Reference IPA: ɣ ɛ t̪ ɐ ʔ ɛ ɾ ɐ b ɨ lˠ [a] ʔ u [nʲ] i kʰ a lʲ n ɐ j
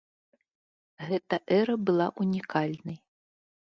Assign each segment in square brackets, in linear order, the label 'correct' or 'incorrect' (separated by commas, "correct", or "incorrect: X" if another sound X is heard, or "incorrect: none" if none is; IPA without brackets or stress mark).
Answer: correct, correct